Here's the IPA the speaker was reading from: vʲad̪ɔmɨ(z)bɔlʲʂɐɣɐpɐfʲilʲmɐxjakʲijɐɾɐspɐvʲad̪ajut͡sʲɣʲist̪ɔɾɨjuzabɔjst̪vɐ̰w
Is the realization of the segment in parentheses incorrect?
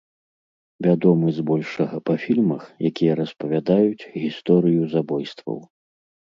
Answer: no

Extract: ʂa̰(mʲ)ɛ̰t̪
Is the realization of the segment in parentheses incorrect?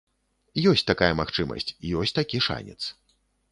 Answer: yes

